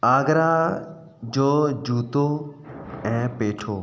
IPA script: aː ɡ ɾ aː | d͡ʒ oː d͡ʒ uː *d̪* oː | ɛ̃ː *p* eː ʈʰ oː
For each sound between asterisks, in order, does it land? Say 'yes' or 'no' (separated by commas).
no, yes